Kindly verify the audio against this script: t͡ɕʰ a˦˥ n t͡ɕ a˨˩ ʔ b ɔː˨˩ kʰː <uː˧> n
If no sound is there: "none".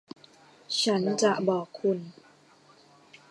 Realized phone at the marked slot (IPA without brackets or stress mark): u˧